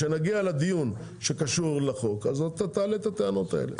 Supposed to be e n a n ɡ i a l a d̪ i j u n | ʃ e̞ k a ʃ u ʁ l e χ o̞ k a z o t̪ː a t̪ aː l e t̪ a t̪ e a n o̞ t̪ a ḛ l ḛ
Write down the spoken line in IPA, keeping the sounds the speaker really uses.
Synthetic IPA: e n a ɡ i a l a d̪ i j u n | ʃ e̞ k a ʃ u ʁ l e χ o̞ k a z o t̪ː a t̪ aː l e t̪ a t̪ e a n o̞ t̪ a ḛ l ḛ